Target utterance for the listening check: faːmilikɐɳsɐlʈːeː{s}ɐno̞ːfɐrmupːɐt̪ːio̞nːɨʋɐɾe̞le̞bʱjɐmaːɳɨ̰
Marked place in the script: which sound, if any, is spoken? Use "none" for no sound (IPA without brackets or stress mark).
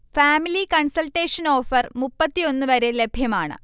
ʂ